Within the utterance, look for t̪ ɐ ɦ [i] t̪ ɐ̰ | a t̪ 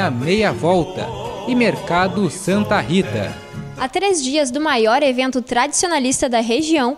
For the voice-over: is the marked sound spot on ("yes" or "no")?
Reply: yes